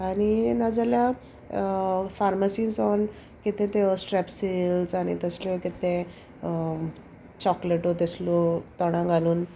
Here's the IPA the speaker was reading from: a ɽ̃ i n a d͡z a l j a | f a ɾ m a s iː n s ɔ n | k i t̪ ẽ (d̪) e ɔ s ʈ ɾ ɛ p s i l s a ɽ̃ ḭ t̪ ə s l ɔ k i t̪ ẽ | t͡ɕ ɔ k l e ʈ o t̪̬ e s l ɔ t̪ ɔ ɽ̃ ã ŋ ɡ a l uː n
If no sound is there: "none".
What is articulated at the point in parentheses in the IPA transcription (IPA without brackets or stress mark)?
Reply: t̪